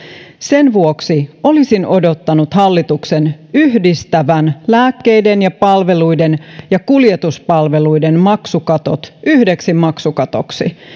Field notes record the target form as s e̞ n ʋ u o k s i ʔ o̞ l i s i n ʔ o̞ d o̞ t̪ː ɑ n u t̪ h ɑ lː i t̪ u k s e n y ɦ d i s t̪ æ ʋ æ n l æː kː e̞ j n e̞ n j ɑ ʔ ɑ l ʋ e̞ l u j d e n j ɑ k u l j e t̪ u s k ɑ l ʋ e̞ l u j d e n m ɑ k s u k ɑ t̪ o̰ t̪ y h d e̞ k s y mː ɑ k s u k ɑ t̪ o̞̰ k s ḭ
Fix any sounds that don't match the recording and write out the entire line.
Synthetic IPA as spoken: s e̞ n ʋ u o k s i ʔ o̞ l i s i n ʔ o̞ d o̞ t̪ː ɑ n u t̪ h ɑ lː i t̪ u k s e n y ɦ d i s t̪ æ ʋ æ n l æː kː e̞ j d e̞ n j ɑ p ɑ l ʋ e̞ l u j d e n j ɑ k u l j e t̪ u s p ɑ l ʋ e̞ l u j d e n m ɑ k s u k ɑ t̪ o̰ t̪ y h d e̞ k s i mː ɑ k s u k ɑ t̪ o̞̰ k s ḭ

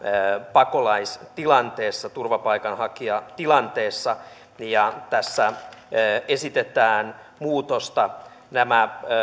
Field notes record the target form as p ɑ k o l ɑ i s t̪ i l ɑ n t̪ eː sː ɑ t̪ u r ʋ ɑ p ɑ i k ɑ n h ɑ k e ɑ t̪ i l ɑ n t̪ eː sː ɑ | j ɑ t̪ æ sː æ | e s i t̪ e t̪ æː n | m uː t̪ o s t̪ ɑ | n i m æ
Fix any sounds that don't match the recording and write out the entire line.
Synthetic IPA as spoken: p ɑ k o l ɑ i s t̪ i l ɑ n t̪ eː sː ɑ t̪ u r ʋ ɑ p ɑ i k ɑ n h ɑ k i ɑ t̪ i l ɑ n t̪ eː sː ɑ | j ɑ t̪ æ sː æ | e s i t̪ e t̪ æː n | m uː t̪ o s t̪ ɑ | n æ m æ

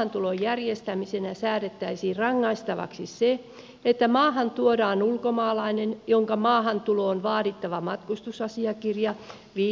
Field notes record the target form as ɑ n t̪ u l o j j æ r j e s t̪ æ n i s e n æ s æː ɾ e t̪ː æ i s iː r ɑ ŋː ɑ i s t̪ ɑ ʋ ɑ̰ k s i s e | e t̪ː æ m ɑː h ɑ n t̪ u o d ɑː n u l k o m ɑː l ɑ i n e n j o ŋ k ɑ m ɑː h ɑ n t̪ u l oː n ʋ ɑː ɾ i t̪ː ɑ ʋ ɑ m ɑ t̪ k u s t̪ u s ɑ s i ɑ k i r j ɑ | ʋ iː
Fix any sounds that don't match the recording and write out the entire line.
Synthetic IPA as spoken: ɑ n t̪ u l o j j æ r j e s t̪ æ m i s e n æ s æː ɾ e t̪ː æ i s iː r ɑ ŋː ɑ i s t̪ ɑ ʋ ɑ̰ k s i s e | e t̪ː æ m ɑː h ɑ n t̪ u o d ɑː n u l k o m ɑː l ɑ i n e n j o ŋ k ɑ m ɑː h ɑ n t̪ u l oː n ʋ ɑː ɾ i t̪ː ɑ ʋ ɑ m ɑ t̪ k u s t̪ u s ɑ s i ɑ k i r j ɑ | ʋ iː

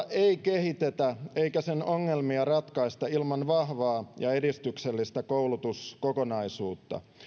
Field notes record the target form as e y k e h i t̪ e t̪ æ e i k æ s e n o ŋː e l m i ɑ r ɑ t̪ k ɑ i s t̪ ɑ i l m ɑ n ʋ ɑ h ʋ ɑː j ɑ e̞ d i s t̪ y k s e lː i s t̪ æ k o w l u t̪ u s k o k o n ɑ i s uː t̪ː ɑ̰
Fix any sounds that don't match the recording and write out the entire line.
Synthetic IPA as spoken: e i k e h i t̪ e t̪ æ e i k æ s e n o ŋː e l m i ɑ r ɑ t̪ k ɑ i s t̪ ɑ i l m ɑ n ʋ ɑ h ʋ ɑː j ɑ e̞ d i s t̪ y k s e lː i s t̪ æ k o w l u t̪ u s k o k o n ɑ i s uː t̪ː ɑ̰

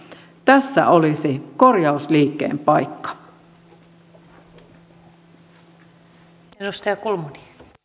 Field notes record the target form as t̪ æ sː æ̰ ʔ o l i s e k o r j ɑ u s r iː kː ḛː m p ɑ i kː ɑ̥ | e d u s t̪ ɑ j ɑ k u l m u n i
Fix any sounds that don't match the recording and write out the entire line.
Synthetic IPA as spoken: t̪ æ sː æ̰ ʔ o l i s i k o r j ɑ u s l iː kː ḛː m p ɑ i kː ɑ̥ | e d u s t̪ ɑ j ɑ k u l m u n i

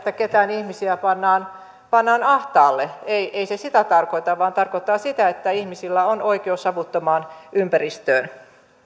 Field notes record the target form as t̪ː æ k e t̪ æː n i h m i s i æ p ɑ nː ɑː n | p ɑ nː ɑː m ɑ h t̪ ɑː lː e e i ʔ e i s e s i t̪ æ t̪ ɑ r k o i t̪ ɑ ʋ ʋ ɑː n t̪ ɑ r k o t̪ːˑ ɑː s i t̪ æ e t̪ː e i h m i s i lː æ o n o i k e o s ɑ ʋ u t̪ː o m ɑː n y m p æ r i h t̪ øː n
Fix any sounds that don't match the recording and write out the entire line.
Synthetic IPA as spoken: t̪ː æ k e t̪ æː n i h m i s i æ p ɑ nː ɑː n | p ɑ nː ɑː n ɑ h t̪ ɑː lː e e i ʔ e i s e s i t̪ æ t̪ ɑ r k o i t̪ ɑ ʋ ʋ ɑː n t̪ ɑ r k o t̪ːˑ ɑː s i t̪ æ e t̪ː æ i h m i s i lː æ o n o i k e o s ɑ ʋ u t̪ː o m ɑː n y m p æ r i s t̪ øː n

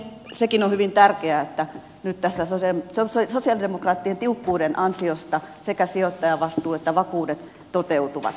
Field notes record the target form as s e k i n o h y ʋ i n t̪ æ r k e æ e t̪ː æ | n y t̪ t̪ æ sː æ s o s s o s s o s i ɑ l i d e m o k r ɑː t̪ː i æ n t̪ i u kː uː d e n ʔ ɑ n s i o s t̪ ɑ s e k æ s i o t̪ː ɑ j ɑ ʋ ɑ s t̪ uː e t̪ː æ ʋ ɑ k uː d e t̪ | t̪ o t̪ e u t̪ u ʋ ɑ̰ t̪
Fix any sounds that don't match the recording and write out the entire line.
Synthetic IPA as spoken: s e k i n o h y ʋ i n t̪ æ r k e æ e t̪ː æ | n y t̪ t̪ æ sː æ s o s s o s s o s i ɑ l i d e m o k r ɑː t̪ː i e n t̪ i u kː uː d e n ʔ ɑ n s i o s t̪ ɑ s e k æ s i o t̪ː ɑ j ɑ ʋ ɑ s t̪ uː e t̪ː æ ʋ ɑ k uː d e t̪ | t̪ o t̪ e u t̪ u ʋ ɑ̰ t̪

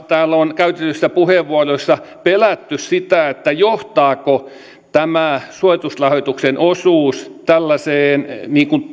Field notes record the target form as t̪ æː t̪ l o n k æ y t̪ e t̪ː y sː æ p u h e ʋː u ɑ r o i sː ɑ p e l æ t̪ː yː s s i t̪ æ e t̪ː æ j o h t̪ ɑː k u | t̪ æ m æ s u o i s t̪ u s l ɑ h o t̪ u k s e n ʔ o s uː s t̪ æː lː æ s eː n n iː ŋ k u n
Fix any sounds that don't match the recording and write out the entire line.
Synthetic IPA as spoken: t̪ æː l o n k æ y t̪ e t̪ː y sː æ p u h e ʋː u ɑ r o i sː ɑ p e l æ t̪ː y s s i t̪ æ e t̪ː æ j o h t̪ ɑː k o | t̪ æ m æ s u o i t̪ u s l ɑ h o t̪ u k s e n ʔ o s uː s t̪ æ lː æ s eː n n iː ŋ k u n

